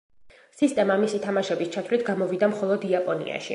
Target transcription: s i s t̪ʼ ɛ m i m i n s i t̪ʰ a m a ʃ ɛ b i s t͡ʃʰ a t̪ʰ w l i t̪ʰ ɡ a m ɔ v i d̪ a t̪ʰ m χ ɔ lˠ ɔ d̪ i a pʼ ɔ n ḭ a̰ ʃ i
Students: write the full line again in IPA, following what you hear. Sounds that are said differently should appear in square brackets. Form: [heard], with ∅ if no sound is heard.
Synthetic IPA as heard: s i s t̪ʼ ɛ m [a] m i [∅] s i t̪ʰ a m a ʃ ɛ b i s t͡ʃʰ a t̪ʰ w l i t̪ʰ ɡ a m ɔ v i d̪ a [∅] m χ ɔ lˠ ɔ d̪ i a pʼ ɔ n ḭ a̰ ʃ i